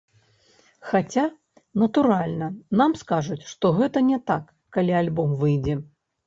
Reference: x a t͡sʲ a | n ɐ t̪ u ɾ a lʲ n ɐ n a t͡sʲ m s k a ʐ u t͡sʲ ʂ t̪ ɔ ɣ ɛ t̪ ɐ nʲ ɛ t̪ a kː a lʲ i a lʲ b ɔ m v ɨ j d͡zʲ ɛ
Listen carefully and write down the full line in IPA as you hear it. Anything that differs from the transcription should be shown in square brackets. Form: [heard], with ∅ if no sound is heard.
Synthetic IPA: x a t͡sʲ a | n ɐ t̪ u ɾ a lʲ n ɐ n a [∅] m s k a ʐ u t͡sʲ ʂ t̪ ɔ ɣ ɛ t̪ ɐ nʲ ɛ t̪ a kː a lʲ i a lʲ b ɔ m v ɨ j d͡zʲ ɛ